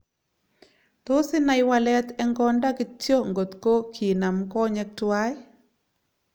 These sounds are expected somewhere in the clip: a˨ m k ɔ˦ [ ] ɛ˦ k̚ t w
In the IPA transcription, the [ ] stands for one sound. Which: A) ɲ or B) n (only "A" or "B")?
A